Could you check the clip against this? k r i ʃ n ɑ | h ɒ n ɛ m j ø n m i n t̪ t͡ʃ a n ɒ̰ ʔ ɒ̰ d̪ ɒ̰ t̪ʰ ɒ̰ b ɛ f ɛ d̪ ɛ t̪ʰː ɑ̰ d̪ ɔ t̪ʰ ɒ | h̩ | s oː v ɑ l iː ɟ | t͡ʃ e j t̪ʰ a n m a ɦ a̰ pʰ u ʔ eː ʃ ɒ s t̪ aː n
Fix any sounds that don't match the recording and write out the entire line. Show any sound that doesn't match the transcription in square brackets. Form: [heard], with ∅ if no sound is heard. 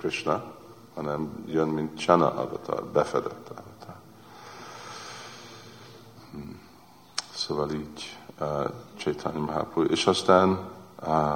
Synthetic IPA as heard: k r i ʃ n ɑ | h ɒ n ɛ m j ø n m i n t̪ t͡ʃ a n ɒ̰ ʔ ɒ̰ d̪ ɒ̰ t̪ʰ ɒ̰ b ɛ f ɛ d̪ ɛ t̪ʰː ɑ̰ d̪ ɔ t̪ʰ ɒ | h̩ | s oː v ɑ l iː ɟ | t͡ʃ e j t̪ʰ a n m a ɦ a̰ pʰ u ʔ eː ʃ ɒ s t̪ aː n